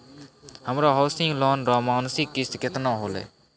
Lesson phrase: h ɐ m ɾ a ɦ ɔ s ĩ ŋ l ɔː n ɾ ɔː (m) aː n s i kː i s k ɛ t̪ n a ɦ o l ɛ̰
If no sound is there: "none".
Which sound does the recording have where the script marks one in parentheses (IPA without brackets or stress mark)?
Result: m